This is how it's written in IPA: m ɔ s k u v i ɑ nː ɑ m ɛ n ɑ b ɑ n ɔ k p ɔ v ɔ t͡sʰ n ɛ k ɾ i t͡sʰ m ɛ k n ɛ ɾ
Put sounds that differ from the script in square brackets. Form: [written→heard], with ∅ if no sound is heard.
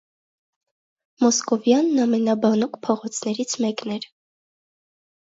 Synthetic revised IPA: m ɔ s k [u→ɔ] v [i→j] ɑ nː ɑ m ɛ n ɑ b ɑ n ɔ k [p→pʰ] ɔ [v→ʁ] ɔ t͡sʰ n ɛ [k→∅] ɾ i t͡sʰ m ɛ k n ɛ ɾ